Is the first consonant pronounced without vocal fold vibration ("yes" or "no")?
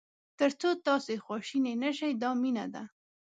yes